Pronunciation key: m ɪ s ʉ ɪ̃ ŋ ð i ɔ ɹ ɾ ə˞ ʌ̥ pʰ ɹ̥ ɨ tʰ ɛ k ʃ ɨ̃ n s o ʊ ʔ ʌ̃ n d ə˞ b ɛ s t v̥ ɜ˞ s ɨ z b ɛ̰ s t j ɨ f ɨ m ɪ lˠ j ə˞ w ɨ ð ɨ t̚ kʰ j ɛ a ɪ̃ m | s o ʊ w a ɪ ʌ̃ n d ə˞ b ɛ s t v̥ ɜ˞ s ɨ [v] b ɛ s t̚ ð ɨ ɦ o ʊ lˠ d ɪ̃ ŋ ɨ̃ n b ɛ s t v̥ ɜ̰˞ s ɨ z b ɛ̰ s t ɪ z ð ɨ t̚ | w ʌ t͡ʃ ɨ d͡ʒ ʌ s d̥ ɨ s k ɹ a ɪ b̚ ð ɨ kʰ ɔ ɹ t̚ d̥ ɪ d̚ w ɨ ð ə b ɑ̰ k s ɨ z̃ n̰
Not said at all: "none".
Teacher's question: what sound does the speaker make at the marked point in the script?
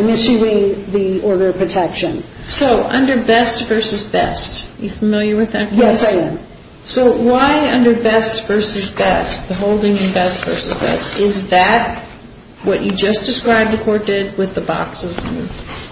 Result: z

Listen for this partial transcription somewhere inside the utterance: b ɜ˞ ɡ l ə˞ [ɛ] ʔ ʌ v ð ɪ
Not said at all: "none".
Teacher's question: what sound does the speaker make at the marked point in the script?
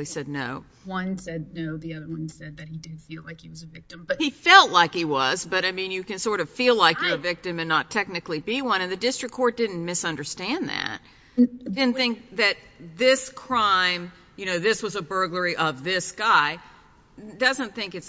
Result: i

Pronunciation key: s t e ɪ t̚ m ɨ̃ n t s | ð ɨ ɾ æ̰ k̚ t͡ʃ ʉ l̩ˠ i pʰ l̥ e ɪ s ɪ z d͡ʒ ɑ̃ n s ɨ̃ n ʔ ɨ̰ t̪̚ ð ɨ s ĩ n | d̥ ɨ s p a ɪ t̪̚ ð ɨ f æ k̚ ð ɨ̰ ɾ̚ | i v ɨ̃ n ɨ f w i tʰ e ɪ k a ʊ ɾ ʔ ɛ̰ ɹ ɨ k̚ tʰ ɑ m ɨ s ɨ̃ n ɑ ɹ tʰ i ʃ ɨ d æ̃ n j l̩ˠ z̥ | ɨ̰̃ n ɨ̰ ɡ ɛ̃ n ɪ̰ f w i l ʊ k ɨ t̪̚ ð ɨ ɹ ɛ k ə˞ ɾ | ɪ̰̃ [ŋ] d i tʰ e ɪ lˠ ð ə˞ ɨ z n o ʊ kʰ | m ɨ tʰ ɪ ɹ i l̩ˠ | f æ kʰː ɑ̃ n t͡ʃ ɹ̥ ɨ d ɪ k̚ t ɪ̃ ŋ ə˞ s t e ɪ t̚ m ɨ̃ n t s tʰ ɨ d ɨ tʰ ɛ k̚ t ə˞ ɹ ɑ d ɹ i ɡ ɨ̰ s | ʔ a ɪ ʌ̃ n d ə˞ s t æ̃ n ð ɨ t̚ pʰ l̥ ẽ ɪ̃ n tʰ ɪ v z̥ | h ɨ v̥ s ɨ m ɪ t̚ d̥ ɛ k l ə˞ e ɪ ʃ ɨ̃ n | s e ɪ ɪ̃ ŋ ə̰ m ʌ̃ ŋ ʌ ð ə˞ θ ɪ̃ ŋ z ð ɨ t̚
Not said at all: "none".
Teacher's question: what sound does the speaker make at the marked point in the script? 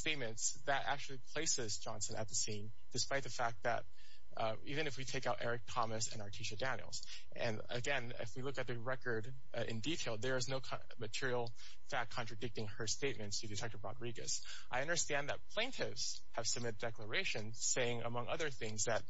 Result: n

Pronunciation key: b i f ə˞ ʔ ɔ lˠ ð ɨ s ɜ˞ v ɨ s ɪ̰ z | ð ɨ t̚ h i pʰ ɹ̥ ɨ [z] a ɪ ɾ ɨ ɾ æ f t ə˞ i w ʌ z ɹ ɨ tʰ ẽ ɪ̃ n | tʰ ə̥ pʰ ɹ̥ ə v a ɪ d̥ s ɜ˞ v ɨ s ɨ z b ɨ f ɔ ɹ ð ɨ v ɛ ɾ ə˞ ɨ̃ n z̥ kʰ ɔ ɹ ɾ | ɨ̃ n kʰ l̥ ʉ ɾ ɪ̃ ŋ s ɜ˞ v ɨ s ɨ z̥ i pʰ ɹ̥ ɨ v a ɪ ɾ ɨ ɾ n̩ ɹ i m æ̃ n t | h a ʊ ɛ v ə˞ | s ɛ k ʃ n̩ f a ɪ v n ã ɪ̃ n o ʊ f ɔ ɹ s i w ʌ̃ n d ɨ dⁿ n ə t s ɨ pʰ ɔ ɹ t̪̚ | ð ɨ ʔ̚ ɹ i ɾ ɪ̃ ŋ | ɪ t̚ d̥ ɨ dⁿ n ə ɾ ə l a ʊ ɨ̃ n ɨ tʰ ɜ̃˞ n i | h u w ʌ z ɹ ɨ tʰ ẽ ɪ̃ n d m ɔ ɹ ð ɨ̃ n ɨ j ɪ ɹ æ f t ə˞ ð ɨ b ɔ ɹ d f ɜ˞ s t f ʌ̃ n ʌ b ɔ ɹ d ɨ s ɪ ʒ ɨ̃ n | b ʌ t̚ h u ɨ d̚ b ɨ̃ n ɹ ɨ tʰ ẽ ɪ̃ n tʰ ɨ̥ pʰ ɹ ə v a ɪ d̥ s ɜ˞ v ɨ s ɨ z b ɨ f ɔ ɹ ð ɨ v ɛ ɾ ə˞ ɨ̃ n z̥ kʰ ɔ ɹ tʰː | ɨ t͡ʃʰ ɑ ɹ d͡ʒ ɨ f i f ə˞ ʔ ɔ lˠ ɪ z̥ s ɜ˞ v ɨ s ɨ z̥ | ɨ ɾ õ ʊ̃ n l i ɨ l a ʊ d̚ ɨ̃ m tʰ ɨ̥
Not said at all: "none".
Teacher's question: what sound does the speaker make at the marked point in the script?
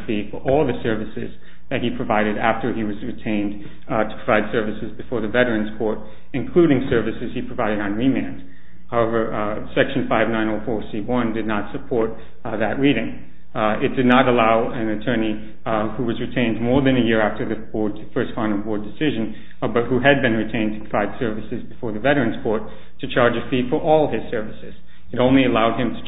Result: v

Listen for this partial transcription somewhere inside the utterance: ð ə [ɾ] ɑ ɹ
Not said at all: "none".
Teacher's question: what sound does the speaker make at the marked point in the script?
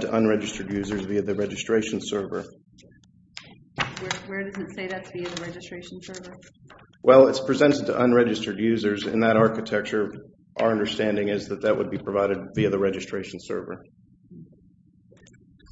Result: ɾ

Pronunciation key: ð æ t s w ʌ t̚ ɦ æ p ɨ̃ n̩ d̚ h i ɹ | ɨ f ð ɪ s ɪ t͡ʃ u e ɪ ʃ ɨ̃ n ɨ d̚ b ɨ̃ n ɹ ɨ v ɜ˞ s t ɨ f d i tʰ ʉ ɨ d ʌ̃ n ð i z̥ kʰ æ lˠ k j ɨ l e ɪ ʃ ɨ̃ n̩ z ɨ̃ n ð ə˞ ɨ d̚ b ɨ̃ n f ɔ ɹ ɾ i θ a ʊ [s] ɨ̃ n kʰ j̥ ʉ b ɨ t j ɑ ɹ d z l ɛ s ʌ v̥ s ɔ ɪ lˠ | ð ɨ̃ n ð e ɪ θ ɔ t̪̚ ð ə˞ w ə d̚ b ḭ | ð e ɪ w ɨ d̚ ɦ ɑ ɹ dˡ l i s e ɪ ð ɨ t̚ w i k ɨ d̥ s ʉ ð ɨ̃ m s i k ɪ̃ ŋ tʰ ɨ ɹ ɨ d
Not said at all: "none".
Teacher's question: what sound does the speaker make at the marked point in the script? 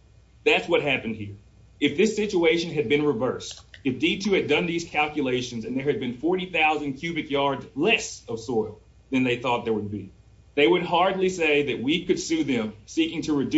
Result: z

